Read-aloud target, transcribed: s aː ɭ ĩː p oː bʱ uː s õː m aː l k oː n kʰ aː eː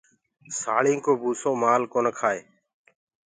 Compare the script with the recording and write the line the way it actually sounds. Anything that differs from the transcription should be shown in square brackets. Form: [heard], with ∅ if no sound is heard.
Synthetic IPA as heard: s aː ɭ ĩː [k] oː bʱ uː s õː m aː l k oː n kʰ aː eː

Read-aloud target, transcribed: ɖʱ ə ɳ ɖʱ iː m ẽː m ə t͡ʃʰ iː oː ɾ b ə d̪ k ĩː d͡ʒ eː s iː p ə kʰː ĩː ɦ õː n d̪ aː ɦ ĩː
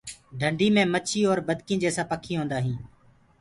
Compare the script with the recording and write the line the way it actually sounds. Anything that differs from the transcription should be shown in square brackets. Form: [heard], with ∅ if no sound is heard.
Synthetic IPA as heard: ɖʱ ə ɳ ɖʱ iː m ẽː m ə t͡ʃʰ iː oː ɾ b ə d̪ k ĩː d͡ʒ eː s [aː] p ə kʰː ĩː ɦ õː n d̪ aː ɦ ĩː

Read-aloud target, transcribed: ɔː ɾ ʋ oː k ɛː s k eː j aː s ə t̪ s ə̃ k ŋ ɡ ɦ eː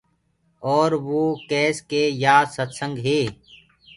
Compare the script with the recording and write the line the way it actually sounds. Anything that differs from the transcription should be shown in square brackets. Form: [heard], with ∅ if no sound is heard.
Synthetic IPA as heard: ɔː ɾ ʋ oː k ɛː s k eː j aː s ə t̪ s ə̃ [∅] ŋ ɡ ɦ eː

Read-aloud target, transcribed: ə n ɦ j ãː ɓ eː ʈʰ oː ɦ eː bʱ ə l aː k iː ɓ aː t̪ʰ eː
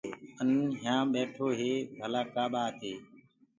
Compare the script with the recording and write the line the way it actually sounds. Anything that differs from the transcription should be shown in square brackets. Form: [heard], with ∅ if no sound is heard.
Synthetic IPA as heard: ə n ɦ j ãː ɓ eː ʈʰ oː ɦ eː bʱ ə l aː k [aː] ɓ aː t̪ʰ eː

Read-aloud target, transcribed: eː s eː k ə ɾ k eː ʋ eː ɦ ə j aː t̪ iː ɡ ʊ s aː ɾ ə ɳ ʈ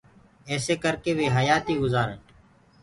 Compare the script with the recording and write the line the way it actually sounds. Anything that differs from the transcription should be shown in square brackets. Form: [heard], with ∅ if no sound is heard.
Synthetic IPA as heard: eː s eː k ə ɾ k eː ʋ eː ɦ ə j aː t̪ iː ɡ ʊ [z] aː ɾ ə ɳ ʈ

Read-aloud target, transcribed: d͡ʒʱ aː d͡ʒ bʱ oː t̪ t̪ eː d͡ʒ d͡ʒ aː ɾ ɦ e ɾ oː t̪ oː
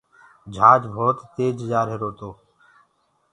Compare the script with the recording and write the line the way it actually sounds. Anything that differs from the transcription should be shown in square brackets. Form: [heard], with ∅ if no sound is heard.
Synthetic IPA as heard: d͡ʒʱ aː d͡ʒ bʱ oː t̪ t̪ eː d͡ʒ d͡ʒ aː ɾ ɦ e ɾ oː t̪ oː

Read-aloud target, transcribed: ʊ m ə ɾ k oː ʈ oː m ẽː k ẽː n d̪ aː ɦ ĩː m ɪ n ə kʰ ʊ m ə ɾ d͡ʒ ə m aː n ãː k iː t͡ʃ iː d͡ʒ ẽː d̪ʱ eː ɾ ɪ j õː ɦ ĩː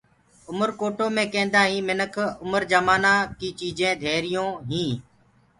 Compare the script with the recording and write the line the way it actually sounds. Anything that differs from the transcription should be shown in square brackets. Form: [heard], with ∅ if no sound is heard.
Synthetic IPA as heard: ʊ m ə ɾ k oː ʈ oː m ẽː k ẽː n d̪ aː ɦ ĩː m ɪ n ə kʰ ʊ m ə ɾ d͡ʒ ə m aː n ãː k iː t͡ʃ iː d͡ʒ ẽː d̪ʱ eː ɾ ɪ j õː ɦ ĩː

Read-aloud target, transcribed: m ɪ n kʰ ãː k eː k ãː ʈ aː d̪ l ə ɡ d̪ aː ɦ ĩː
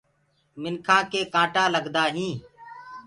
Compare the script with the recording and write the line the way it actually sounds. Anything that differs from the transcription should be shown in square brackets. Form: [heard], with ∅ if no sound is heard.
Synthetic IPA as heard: m ɪ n kʰ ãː k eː k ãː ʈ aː [∅] l ə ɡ d̪ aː ɦ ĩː

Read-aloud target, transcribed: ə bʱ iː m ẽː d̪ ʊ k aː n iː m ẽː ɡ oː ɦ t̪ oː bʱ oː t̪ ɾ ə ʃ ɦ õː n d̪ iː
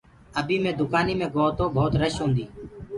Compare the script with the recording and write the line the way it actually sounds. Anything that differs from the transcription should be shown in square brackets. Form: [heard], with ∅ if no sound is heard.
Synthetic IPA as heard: ə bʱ iː m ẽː d̪ ʊ k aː n iː m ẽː ɡ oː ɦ t̪ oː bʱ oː t̪ ɾ ə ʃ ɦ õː n d̪ iː

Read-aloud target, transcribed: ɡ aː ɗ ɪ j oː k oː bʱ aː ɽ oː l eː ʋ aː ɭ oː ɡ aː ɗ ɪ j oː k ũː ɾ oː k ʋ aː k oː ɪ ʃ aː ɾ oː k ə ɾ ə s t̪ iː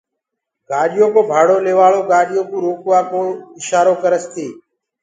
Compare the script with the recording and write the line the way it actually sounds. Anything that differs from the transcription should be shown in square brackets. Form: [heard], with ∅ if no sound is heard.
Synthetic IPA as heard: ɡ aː ɗ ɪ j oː k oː bʱ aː ɽ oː l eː ʋ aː ɭ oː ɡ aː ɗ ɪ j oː k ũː ɾ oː k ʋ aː k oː ɪ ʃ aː ɾ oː k ə ɾ ə s t̪ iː

